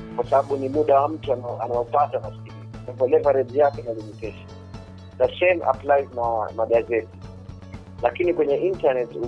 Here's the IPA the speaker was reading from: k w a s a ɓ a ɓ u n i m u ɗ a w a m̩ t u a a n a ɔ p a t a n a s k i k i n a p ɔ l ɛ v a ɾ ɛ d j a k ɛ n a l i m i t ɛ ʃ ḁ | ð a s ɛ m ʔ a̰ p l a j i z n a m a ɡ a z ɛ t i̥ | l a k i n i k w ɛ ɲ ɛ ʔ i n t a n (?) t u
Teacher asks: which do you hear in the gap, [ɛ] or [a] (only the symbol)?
ɛ